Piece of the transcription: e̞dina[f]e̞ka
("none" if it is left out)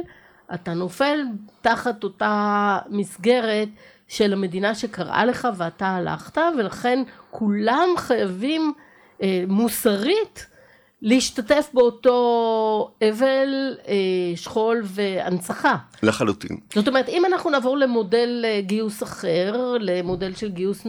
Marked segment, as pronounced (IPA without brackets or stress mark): ʃ